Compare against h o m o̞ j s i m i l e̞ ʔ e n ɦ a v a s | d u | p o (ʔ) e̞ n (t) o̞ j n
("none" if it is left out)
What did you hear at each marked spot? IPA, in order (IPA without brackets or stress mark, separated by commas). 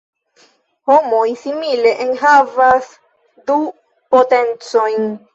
t, t͡s